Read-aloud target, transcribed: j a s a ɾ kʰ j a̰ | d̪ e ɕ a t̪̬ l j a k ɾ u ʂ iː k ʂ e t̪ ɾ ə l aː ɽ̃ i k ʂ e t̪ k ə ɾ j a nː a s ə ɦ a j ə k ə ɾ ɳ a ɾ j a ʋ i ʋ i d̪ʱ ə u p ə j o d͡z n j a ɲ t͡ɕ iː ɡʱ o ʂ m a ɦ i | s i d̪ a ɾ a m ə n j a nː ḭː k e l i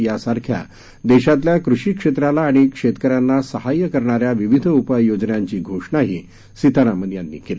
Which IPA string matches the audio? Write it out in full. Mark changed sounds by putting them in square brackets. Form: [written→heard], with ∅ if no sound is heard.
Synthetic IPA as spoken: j a s a ɾ kʰ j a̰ | d̪ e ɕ a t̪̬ l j a k ɾ u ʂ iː k ʂ e t̪ ɾ [ə→a] l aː ɽ̃ i k ʂ e t̪ k ə ɾ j a nː a s ə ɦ a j ə k ə ɾ ɳ a ɾ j a ʋ i ʋ i d̪ʱ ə u p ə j o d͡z n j a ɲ t͡ɕ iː ɡʱ o ʂ [m→ɳ] a ɦ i | s i [d̪→t̪] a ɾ a m ə n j a nː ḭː k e l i